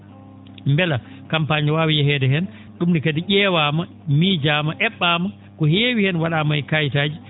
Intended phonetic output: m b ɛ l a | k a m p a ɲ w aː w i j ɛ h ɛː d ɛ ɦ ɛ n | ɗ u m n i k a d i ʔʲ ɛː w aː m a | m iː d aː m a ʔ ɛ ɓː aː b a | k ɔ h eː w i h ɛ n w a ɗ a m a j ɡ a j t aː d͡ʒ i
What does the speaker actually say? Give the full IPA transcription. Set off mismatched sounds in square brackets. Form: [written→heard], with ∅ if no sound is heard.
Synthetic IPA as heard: m b ɛ l a | k a m p a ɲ w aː w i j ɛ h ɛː d ɛ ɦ ɛ n | ɗ u m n i k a d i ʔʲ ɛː w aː m a | m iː [d→d͡ʒ] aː m a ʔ ɛ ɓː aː [b→m] a | k ɔ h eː w i h ɛ n w a ɗ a m a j [ɡ→k] a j t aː d͡ʒ i

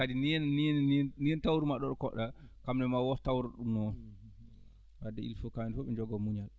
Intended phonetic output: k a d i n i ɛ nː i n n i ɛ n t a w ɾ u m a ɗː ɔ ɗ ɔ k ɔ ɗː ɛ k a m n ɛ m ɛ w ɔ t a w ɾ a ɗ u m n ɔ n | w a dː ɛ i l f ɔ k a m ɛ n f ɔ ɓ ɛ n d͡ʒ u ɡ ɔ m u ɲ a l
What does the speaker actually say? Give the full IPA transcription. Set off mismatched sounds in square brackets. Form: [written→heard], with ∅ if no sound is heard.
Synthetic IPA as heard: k a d i n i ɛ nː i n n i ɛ n t a w ɾ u m a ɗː ɔ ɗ ɔ k ɔ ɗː [ɛ→a] k a m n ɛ m [ɛ→a] w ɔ t a w ɾ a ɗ u m n ɔ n | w a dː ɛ i l f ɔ k a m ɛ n f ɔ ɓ ɛ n d͡ʒ [u→ɔ] ɡ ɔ m u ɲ a l

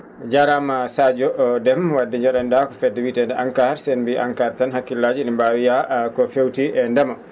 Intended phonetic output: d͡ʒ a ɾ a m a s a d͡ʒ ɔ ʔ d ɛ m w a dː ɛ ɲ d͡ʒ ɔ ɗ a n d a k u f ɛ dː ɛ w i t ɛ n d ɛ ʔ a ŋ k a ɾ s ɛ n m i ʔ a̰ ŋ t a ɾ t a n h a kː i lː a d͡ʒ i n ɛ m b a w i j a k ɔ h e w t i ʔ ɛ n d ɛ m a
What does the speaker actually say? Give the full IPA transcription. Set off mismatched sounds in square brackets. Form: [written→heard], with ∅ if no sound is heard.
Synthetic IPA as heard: d͡ʒ a ɾ a m a s a d͡ʒ ɔ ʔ d ɛ m w a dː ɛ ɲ d͡ʒ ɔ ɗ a n d a k [u→ɔ] f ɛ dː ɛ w i t ɛ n d ɛ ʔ a ŋ k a ɾ s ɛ n [m→b] i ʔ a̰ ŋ [t→k] a ɾ t a n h a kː i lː a d͡ʒ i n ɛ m b a w i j a k ɔ [h→f] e w t i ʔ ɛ n d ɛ m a

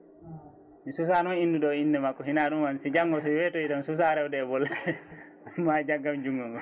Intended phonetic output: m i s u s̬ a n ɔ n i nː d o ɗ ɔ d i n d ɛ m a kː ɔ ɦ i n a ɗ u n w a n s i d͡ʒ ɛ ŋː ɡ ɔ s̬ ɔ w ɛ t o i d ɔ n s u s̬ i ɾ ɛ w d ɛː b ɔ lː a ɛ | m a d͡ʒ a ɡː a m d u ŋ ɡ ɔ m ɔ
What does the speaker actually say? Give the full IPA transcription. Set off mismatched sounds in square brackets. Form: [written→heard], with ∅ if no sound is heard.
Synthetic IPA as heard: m i s u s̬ a n ɔ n i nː d [o→u] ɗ ɔ [d→∅] i n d ɛ m a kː ɔ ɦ i n a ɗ u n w a n s i d͡ʒ [ɛ→a] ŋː ɡ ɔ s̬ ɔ w ɛ t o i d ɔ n s u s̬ [i→a] ɾ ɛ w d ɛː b ɔ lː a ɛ | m a d͡ʒ a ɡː a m [d→d͡ʒ] u ŋ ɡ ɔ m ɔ

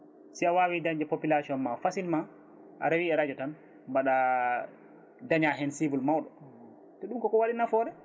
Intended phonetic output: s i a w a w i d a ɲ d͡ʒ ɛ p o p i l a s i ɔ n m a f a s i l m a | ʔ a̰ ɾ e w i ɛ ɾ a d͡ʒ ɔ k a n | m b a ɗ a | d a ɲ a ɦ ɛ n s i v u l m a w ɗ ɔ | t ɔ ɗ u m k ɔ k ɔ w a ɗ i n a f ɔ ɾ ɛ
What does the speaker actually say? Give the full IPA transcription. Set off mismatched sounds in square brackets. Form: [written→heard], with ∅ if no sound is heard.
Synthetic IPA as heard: s i a w a w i d a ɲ d͡ʒ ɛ p o p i l a s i ɔ n m a f a s i l m a | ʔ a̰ ɾ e w i ɛ ɾ a d͡ʒ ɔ [k→t] a n | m b a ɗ a | d a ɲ a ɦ ɛ n s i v u l m a w ɗ ɔ | t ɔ ɗ u m k ɔ k ɔ w a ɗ i n a f ɔ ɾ ɛ

